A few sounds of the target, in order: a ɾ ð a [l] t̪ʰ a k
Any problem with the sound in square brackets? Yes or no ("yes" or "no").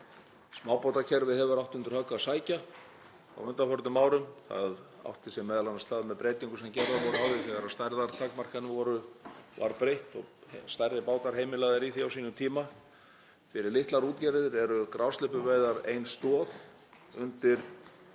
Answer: yes